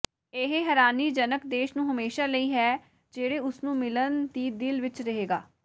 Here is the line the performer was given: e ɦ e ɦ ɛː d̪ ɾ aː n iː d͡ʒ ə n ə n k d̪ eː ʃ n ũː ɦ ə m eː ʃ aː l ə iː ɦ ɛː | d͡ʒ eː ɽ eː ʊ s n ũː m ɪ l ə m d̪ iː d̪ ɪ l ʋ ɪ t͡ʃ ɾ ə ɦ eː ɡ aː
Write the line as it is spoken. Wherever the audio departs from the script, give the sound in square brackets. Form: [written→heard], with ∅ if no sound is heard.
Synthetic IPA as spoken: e ɦ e ɦ ɛː [d̪→∅] ɾ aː n iː d͡ʒ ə n ə [n→∅] k d̪ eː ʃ n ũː ɦ ə m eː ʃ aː l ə iː ɦ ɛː | d͡ʒ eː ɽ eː ʊ s n ũː m ɪ l ə [m→n] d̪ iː d̪ ɪ l ʋ ɪ t͡ʃ ɾ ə ɦ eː ɡ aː